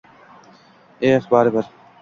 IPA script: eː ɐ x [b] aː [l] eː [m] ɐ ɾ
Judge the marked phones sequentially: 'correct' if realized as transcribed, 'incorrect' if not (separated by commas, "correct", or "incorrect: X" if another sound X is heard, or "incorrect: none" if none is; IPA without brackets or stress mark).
correct, incorrect: ɾ, incorrect: b